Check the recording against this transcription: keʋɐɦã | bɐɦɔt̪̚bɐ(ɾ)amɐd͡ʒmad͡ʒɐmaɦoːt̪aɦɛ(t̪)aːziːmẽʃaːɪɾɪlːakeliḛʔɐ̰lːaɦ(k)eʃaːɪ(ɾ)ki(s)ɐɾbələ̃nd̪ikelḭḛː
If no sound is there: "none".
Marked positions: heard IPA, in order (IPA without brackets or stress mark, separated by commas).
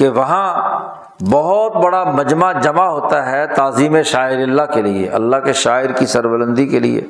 ɽ, t̪, k, ɾ, s